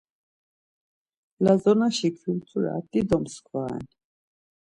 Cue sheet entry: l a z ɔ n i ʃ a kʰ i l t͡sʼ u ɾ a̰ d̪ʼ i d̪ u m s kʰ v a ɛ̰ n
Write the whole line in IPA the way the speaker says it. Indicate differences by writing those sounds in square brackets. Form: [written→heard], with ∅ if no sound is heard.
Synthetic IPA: l a z ɔ n [i→a] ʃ [a→i] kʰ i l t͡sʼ u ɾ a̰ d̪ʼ i d̪ [u→ɔ] m s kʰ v a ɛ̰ n